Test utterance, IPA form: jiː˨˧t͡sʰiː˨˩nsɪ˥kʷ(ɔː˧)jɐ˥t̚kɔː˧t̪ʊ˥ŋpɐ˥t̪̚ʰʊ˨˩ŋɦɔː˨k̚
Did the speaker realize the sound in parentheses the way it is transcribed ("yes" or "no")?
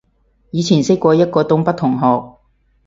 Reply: yes